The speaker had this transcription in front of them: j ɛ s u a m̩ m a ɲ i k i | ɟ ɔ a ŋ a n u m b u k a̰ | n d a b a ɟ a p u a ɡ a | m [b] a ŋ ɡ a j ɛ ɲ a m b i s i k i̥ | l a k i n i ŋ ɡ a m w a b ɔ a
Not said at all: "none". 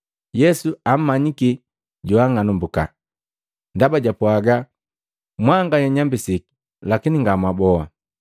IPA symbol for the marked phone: w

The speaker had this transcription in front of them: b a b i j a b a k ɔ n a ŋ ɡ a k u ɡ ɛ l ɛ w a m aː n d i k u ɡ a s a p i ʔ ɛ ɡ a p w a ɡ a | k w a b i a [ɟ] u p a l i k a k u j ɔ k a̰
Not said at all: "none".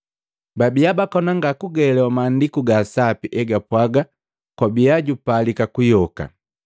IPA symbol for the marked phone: ɟ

